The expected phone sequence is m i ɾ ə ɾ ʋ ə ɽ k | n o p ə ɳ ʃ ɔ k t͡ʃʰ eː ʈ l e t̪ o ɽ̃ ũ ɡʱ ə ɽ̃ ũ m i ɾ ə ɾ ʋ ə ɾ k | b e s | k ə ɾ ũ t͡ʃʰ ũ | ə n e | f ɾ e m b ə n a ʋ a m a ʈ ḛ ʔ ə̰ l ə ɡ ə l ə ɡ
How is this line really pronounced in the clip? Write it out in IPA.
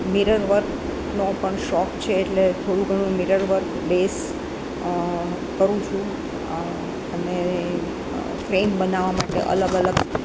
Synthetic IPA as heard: m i ɾ ə ɾ ʋ ə ɾ k | n o p ə ɳ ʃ ɔ k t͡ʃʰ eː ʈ l e t̪ʰ o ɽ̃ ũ ɡʱ ə ɽ̃ ũ m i ɾ ə ɾ ʋ ə ɾ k | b e s | k ə ɾ ũ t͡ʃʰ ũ | ə n e | f ɾ e m b ə n a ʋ a m a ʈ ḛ ʔ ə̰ l ə ɡ ə l ə ɡ